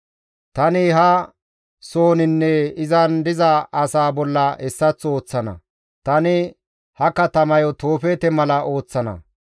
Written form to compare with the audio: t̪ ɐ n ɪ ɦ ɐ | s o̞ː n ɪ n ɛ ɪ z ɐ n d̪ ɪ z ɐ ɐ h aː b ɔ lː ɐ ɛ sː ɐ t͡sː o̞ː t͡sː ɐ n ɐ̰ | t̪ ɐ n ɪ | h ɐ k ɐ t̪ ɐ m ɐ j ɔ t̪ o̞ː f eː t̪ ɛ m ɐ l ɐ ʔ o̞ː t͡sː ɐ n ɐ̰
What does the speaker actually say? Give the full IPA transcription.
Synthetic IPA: t̪ ɐ n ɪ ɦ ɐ | s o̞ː n ɪ nː ɛ ɪ z ɐ n d̪ ɪ z ɐ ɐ s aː b ɔ lː ɐ ɛ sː ɐ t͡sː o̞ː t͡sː ɐ n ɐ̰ | t̪ ɐ n ɪ | h ɐ k ɐ t̪ ɐ m ɐ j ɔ t̪ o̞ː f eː t̪ ɛ m ɐ l ɐ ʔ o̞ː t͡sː ɐ n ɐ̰